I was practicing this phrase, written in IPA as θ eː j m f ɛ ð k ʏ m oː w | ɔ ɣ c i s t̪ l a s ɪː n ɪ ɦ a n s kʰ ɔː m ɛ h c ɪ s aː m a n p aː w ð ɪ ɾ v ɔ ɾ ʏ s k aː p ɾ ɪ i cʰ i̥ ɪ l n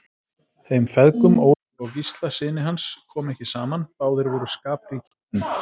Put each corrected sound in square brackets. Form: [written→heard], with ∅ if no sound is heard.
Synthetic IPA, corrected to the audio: θ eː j m f ɛ ð k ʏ m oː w | ɔ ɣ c i s t̪ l a s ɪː n ɪ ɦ a n s kʰ ɔː m ɛ h c ɪ s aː m a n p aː w ð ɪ ɾ v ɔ ɾ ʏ s k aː p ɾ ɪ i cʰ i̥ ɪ [l→∅] n